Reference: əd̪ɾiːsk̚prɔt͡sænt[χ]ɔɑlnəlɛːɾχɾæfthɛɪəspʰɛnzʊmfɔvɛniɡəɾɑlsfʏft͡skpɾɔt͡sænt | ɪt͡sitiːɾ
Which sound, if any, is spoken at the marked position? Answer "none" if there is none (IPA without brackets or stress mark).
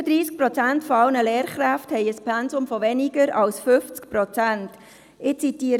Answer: f